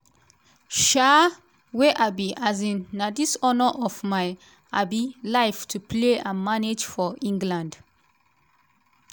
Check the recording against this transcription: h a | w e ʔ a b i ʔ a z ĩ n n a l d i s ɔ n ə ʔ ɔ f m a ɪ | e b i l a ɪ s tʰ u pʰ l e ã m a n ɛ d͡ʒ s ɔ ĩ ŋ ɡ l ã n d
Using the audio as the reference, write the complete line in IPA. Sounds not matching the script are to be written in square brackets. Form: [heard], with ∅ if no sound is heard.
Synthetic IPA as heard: [ʃ] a | w e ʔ a b i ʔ a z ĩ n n a [∅] d i s ɔ n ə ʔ ɔ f m a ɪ | [a] b i l a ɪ [f] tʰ u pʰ l e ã m a n [e] d͡ʒ [f] ɔ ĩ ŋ ɡ l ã n d